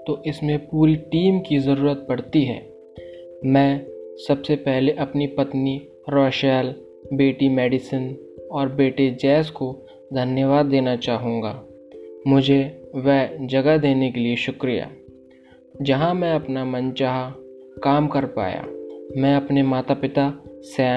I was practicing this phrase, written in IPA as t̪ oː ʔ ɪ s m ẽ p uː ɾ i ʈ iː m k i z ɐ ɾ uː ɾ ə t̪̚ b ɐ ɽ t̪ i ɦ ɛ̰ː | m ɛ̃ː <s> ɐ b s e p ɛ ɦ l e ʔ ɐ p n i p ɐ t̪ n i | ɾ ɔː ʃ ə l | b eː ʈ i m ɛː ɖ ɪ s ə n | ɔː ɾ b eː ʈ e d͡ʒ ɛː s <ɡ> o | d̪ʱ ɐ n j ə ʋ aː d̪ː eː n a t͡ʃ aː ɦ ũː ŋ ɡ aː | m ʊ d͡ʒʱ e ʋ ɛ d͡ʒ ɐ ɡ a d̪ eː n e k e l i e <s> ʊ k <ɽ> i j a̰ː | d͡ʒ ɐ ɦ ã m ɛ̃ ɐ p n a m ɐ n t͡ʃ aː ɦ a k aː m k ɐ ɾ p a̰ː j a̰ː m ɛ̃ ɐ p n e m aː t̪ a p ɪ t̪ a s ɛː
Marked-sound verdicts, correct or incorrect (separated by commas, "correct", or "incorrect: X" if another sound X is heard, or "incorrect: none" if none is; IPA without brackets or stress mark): correct, incorrect: k, incorrect: ʃ, incorrect: ɾ